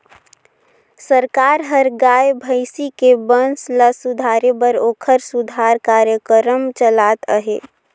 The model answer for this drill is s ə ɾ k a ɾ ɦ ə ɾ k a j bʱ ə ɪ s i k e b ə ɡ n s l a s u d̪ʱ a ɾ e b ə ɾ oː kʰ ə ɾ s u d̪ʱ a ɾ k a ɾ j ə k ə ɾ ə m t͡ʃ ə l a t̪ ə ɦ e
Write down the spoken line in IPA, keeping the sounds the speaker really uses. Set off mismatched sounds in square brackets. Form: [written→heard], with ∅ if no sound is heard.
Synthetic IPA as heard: s ə ɾ k a ɾ ɦ ə ɾ [k→ɡ] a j bʱ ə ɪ s i k e b ə [ɡ→∅] n s l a s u d̪ʱ a ɾ e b ə ɾ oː kʰ ə ɾ s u d̪ʱ a ɾ k a ɾ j ə k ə ɾ ə m t͡ʃ ə l a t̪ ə ɦ e